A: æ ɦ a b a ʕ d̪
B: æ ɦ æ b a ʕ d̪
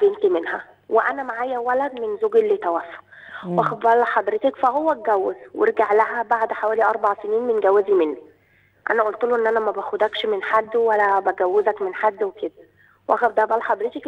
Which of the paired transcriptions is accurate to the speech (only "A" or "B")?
B